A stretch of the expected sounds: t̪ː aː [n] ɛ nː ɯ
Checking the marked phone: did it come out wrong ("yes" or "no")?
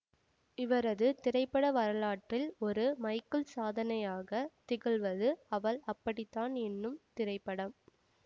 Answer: no